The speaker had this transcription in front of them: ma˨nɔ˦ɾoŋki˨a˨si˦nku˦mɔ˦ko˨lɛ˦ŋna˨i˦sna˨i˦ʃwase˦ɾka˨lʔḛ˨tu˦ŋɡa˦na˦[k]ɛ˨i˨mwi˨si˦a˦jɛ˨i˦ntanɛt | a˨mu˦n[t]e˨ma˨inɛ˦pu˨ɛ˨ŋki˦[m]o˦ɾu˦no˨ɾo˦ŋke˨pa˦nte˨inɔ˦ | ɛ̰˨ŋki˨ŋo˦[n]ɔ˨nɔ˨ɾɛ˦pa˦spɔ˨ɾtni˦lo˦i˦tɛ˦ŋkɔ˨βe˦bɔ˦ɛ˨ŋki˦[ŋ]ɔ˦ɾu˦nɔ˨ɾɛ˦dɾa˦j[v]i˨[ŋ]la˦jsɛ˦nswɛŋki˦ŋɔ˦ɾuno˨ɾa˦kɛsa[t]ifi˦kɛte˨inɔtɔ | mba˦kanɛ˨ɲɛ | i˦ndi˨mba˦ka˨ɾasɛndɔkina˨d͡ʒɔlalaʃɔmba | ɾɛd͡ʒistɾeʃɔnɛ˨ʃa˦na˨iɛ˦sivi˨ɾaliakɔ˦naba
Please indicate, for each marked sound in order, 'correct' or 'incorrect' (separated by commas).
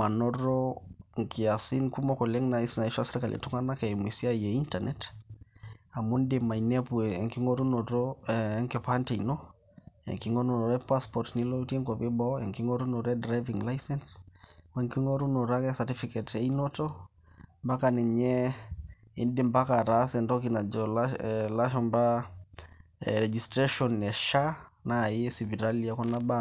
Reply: correct, incorrect, incorrect, correct, correct, correct, correct, correct